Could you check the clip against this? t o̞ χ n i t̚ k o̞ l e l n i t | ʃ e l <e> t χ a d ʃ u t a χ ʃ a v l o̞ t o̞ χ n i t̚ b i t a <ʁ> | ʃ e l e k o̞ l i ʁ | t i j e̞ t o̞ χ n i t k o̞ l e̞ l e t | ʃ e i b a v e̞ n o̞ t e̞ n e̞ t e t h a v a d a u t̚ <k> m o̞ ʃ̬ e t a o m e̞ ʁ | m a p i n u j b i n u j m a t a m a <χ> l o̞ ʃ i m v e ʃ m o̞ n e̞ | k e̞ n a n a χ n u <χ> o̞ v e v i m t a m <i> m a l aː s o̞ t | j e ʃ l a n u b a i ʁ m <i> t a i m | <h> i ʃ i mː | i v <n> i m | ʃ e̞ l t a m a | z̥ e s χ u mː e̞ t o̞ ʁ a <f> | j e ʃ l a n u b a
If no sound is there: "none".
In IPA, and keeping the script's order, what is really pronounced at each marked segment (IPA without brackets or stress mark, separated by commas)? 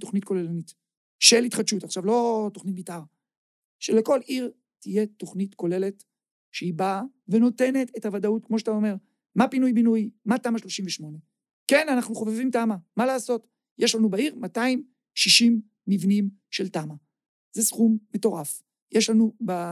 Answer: i, ʁ, k, ʃ, χ, a, a, ʃ, n, f